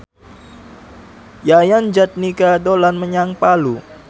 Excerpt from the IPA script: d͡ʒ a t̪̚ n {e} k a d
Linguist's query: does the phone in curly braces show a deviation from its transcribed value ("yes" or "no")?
yes